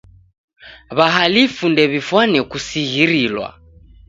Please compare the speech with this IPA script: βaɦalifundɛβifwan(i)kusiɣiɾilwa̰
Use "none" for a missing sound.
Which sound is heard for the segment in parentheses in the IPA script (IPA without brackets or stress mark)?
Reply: ɛ